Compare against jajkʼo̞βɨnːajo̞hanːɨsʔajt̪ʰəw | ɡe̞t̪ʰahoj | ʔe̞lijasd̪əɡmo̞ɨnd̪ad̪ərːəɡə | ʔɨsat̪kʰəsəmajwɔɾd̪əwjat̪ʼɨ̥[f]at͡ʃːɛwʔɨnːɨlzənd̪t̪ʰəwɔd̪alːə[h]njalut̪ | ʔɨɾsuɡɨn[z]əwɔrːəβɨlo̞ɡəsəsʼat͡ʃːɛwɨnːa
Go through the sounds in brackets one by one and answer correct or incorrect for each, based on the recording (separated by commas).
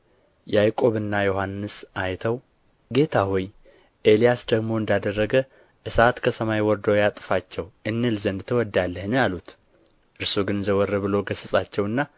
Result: correct, correct, correct